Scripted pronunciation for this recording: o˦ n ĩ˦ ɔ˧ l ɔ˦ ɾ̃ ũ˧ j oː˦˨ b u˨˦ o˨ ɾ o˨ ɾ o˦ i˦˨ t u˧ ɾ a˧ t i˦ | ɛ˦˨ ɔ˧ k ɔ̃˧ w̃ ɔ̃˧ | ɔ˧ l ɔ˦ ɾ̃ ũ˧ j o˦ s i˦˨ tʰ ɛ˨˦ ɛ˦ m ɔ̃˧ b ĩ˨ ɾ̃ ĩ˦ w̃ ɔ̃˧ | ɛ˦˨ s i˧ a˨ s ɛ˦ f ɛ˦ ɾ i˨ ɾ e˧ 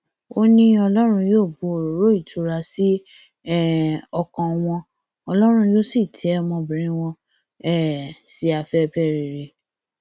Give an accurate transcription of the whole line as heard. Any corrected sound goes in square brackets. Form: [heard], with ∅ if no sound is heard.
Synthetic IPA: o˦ n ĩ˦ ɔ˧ l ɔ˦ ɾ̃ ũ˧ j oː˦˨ b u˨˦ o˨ ɾ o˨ ɾ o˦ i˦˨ t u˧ ɾ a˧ [s] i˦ | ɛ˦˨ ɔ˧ k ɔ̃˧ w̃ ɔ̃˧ | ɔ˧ l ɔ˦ ɾ̃ ũ˧ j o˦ s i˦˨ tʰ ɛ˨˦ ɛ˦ m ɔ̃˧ b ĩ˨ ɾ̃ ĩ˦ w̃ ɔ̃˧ | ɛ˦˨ s i˧ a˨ [f] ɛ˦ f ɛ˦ ɾ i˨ ɾ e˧